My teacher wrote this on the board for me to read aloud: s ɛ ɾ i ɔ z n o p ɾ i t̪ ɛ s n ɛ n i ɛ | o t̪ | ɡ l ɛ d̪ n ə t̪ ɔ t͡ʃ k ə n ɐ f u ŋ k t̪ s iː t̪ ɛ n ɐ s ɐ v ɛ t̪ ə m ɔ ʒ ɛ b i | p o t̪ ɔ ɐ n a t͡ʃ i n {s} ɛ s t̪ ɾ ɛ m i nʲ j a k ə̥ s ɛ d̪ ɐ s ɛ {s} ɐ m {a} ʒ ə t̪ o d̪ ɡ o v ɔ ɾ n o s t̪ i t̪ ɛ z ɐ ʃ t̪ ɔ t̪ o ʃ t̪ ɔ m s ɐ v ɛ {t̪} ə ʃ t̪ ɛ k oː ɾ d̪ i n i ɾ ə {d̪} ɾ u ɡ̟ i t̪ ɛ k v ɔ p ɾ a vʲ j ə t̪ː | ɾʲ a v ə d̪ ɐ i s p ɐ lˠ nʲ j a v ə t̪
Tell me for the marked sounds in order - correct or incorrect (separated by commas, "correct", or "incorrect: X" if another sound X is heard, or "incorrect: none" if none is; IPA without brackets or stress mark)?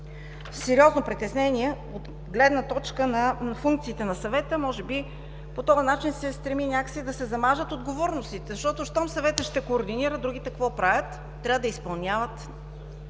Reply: correct, incorrect: z, correct, correct, correct